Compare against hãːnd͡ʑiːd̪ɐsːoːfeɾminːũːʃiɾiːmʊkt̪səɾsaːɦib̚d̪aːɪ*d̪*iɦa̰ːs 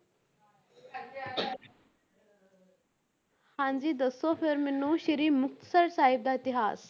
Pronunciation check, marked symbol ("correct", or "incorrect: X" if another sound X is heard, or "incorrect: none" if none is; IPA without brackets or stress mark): incorrect: t̪